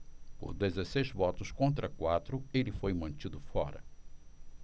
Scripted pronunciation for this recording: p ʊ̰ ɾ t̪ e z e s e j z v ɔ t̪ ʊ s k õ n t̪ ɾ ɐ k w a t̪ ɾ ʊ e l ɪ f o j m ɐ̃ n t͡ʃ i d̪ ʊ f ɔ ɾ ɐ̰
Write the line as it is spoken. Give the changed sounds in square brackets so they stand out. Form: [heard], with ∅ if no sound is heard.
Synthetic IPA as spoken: p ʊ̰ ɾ [d̪] e z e s e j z v ɔ t̪ ʊ s k õ n t̪ ɾ ɐ k w a t̪ ɾ ʊ e l ɪ f o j m ɐ̃ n t͡ʃ i d̪ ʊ f ɔ ɾ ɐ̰